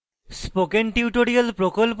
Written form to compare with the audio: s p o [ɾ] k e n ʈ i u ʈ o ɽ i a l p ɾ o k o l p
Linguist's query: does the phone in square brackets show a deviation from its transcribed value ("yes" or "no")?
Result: yes